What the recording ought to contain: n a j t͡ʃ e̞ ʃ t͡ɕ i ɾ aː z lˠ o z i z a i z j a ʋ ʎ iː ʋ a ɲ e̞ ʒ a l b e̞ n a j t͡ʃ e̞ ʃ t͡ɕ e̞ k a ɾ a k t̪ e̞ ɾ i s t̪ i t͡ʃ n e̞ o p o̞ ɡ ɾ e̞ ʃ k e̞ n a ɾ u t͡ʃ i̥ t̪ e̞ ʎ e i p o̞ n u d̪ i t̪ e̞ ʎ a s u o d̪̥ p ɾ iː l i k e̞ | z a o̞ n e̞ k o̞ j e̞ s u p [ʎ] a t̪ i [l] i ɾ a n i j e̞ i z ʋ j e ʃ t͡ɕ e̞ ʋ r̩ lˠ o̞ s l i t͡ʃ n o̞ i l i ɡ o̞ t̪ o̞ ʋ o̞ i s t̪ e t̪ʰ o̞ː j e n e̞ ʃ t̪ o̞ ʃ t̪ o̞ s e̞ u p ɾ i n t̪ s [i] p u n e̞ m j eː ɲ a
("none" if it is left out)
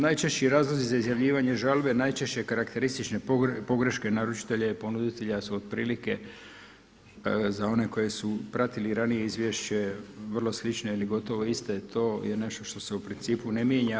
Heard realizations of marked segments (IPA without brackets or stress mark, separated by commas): ɾ, l, iː